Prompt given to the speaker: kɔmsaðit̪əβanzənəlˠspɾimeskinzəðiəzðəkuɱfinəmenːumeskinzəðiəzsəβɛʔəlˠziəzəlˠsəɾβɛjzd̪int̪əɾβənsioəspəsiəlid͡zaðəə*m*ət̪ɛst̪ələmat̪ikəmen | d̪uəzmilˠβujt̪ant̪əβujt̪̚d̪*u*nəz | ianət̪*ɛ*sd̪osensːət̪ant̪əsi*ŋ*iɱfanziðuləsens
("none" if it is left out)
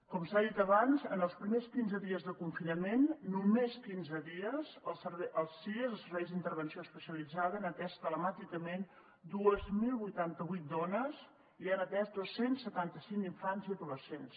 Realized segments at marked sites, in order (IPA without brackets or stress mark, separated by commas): n, ɔ, ɛ, ŋ